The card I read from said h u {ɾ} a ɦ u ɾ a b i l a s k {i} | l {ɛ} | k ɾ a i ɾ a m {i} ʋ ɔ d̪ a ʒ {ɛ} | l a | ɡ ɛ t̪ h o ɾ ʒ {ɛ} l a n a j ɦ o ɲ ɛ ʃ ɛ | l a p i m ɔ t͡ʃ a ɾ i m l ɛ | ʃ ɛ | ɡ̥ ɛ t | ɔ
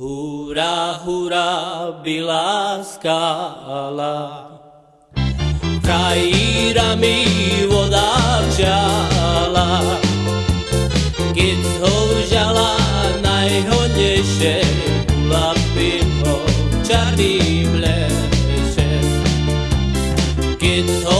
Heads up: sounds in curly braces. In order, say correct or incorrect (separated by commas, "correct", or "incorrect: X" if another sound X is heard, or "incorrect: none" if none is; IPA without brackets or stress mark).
correct, incorrect: a, incorrect: a, correct, incorrect: a, incorrect: a